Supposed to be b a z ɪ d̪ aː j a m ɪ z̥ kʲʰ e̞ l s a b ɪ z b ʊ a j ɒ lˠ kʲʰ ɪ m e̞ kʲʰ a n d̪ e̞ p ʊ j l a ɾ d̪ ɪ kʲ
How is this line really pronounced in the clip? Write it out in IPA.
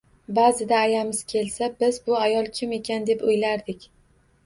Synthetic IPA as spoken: b a z ɪ d̪ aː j a m ɪ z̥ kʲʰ e̞ l s a b ɪ z b ʊ a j ɒ lˠ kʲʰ ɪ m e̞ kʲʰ a n d̪ e̞ p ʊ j l a ɾ d̪ ɪ kʲ